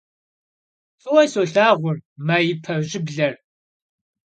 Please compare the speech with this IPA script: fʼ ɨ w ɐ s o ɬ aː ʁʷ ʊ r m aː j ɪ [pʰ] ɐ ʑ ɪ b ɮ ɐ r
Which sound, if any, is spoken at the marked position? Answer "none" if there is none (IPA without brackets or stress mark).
pʰ